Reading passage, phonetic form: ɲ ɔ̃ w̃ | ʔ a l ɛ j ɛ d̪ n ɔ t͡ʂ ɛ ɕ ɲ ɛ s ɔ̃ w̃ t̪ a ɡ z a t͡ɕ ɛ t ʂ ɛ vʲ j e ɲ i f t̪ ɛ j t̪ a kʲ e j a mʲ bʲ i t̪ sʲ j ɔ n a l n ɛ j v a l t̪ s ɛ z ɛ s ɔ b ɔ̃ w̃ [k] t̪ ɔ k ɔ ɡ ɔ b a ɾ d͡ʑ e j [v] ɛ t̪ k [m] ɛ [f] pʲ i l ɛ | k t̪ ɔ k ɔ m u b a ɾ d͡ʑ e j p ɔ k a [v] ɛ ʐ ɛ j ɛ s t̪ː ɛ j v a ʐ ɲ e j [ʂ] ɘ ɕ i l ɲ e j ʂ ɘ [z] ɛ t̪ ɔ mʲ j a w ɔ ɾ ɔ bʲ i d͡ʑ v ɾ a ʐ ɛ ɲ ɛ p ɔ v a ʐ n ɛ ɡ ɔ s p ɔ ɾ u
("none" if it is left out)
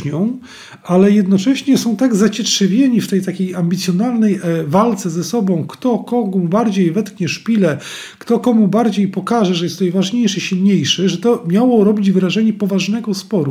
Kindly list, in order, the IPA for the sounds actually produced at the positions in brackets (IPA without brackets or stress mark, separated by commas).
k, v, ɲ, ʂ, ʐ, ʂ, ʐ